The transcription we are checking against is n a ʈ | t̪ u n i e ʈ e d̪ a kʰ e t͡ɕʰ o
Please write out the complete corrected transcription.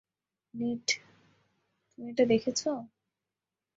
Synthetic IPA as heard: n i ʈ | t̪ u m i e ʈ a d̪ e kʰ e t͡ɕʰ o